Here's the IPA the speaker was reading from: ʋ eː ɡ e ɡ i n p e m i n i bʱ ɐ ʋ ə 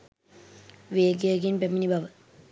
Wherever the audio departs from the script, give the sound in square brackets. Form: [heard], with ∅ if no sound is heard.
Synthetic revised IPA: ʋ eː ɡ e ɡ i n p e m i n i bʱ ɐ ʋ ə

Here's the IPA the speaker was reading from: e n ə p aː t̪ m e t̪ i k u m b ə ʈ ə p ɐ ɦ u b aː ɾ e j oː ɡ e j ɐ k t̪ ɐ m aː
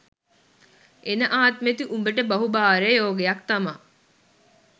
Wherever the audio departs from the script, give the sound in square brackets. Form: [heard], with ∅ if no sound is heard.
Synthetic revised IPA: e n ə [ʔ] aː t̪ m e t̪ i [ʔ] u m b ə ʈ ə [b] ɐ ɦ u b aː ɾ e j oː ɡ e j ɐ k t̪ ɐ m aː

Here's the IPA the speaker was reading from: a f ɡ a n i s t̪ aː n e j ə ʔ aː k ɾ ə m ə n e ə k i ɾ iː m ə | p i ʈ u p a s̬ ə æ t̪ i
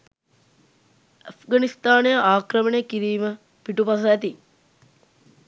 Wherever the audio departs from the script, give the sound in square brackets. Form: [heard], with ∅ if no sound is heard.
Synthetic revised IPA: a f ɡ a n i s t̪ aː n e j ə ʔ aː k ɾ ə m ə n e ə k i ɾ iː m ə | p i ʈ u p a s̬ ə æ t̪ i

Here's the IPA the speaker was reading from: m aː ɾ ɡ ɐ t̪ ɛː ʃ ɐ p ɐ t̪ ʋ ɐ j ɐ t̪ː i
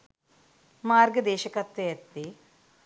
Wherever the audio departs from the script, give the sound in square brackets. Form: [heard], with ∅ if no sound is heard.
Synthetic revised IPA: m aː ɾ ɡ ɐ [d̪] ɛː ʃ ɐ [k] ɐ t̪ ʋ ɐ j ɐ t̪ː i

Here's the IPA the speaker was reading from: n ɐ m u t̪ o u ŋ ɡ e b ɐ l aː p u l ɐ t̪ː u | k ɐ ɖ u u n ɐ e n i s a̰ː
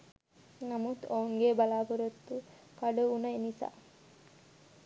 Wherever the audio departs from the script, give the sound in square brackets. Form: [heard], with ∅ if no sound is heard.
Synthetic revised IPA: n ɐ m u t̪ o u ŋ ɡ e b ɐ l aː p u [ɾ] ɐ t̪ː u | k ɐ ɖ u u n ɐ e n i s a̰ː

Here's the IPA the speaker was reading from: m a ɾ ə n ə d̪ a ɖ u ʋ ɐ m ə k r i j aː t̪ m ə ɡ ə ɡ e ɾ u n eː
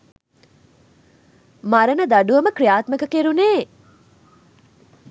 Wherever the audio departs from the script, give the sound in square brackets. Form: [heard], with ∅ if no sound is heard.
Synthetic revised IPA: m a ɾ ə n ə d̪ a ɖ u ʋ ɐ m ə k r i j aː t̪ m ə [k] ə [k] e ɾ u n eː

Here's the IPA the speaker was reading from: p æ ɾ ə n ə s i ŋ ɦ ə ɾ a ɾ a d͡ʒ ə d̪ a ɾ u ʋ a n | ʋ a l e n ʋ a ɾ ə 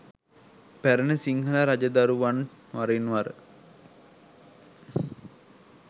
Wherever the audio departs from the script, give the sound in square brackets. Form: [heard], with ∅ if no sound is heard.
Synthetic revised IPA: p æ ɾ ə n ə s i ŋ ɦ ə [l] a ɾ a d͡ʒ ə d̪ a ɾ u ʋ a n | ʋ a [ɾ] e n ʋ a ɾ ə

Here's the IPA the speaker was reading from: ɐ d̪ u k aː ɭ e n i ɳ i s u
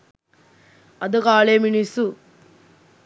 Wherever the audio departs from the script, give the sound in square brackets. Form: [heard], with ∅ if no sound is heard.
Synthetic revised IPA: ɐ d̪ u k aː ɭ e [m] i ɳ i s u

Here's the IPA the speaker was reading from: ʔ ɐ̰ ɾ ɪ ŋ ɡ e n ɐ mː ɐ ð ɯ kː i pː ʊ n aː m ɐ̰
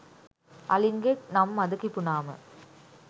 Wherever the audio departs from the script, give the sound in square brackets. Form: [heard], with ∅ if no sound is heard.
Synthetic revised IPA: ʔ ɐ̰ [l] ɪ ŋ ɡ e n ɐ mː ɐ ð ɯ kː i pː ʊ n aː m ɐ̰

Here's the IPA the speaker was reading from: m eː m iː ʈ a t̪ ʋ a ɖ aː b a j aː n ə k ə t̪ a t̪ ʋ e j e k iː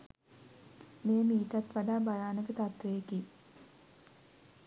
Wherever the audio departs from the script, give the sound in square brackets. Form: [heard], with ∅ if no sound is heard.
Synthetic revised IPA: m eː m iː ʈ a t̪ ʋ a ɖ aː b a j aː n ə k ə t̪ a t̪ ʋ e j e k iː

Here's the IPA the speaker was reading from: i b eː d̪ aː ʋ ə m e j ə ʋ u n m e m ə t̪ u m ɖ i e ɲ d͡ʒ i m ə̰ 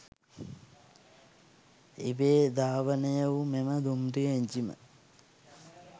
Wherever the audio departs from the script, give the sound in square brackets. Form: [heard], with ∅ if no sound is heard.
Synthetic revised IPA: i b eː d̪ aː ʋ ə [n] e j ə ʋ u [∅] m e m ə [d̪] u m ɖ i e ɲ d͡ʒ i m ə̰

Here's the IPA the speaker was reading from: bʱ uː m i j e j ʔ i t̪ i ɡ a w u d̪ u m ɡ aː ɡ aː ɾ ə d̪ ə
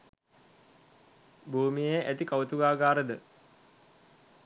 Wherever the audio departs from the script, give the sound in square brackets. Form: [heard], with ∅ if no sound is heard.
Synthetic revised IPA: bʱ uː m i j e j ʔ [æ] t̪ i [k] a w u [t̪] u [∅] ɡ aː ɡ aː ɾ ə d̪ ə

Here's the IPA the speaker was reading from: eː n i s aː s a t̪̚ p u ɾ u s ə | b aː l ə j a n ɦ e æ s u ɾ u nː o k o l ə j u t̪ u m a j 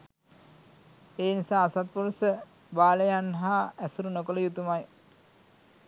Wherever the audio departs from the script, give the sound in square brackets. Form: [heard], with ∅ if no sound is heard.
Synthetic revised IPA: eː n i s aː s a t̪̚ p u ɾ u s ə | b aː l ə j a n ɦ [a] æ s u ɾ u [n] o k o l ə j u t̪ u m a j

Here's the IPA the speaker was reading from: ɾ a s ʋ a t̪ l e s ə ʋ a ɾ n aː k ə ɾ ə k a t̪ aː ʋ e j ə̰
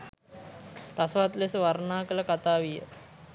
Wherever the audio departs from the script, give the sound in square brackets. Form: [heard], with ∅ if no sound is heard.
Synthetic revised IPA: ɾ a s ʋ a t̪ l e s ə ʋ a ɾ n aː k ə [l] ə k a t̪ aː ʋ [i] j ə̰

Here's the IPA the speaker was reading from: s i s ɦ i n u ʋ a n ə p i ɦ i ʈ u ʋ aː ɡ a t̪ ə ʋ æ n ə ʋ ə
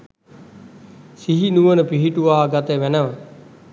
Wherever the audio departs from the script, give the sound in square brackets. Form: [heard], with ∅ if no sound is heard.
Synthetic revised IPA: s i [∅] ɦ i n u ʋ [ə] n ə p i ɦ i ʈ u ʋ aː ɡ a t̪ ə ʋ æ n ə ʋ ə

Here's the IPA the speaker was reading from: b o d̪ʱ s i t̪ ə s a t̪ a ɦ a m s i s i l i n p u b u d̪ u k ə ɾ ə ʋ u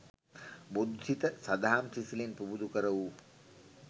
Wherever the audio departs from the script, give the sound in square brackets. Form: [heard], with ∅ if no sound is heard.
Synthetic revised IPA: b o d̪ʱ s i t̪ ə s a [d̪] a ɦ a m s i s i l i n p u b u d̪ u k ə ɾ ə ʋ u

